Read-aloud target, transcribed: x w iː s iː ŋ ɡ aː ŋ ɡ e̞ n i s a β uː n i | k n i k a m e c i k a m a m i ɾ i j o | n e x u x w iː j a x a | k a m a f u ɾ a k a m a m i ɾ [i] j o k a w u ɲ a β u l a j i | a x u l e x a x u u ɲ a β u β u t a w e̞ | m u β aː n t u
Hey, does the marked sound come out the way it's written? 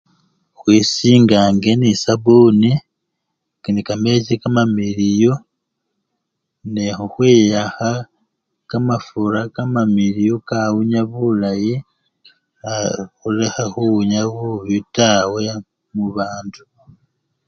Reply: yes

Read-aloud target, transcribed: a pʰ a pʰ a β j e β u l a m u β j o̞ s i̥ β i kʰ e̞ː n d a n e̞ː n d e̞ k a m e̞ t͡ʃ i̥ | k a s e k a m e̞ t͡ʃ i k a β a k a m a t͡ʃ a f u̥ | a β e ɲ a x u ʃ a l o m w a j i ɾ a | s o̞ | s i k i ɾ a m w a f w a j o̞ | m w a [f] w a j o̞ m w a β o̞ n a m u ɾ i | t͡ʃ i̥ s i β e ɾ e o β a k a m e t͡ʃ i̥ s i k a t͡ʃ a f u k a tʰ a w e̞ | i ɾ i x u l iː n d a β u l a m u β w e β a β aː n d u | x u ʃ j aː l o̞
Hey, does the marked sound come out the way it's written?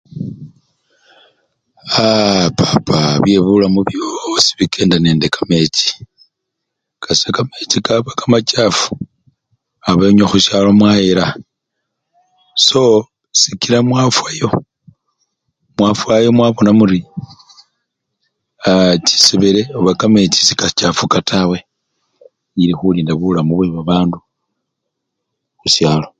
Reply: yes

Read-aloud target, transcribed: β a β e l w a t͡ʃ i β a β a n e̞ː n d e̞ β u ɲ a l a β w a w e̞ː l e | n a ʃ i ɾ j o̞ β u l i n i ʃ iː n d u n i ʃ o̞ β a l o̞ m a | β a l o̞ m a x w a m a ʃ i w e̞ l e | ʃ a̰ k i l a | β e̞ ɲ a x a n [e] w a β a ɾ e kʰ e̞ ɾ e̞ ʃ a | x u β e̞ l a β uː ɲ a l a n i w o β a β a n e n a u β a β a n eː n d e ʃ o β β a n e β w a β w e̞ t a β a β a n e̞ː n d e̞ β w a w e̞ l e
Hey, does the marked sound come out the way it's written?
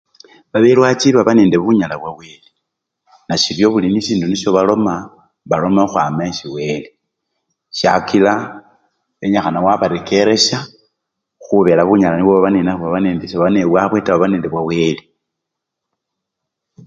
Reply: no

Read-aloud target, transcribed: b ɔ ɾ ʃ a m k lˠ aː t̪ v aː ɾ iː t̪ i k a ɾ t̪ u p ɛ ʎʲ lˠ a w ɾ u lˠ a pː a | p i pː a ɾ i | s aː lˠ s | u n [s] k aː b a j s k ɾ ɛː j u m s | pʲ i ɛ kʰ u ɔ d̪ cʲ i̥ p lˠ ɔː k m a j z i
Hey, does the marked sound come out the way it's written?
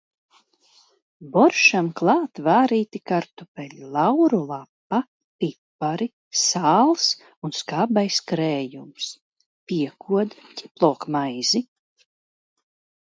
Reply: yes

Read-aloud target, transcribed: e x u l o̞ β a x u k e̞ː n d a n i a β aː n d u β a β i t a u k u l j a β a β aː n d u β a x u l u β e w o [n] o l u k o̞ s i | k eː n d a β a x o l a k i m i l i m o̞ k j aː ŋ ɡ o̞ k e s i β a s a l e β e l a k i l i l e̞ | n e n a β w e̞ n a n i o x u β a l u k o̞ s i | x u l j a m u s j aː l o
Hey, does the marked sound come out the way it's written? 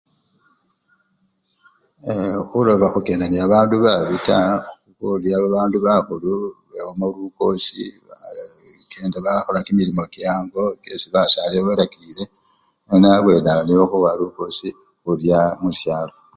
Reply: no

